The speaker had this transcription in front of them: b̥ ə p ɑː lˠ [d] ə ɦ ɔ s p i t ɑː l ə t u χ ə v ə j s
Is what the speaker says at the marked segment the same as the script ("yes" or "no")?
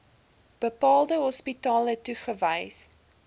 yes